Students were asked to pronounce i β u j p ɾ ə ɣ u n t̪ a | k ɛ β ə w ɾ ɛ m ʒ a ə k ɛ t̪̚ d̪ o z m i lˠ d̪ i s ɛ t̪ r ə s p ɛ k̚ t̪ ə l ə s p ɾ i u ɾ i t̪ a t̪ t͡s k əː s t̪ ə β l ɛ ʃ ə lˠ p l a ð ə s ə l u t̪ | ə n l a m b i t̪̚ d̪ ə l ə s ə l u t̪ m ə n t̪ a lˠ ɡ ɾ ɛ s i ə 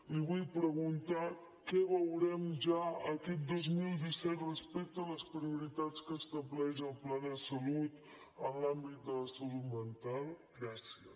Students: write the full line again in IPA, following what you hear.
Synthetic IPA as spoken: i β u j p ɾ ə ɣ u n t̪ a | k ɛ β ə w ɾ ɛ m ʒ a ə k ɛ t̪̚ d̪ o z m i lˠ d̪ i s ɛ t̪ r ə s p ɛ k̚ t̪ ə l ə s p ɾ i u ɾ i t̪ a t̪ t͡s k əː s t̪ ə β l ɛ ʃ ə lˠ p l a ð ə s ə l u t̪ | ə n l a m b i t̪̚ d̪ ə l ə s ə l u t̪ m ə n t̪ a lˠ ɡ ɾ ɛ s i ə